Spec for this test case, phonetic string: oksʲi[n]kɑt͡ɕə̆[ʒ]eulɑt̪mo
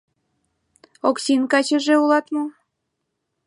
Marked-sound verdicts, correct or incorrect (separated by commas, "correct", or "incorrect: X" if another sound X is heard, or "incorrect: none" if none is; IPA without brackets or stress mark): correct, correct